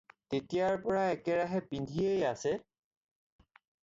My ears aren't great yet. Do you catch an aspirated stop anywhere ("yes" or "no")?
no